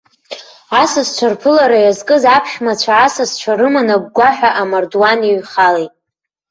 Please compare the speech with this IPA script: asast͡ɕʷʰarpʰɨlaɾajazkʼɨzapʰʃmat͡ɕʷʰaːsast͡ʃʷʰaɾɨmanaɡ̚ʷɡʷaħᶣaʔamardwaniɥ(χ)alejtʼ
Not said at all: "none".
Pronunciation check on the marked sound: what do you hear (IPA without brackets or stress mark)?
χ